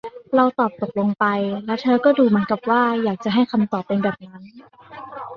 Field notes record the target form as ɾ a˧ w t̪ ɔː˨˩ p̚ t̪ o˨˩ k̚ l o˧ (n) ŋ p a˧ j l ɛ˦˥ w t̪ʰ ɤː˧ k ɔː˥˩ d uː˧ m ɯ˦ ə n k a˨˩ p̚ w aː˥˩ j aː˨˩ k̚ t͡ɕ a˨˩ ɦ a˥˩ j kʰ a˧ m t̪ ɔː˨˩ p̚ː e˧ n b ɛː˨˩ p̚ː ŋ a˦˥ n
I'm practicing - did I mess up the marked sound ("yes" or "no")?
yes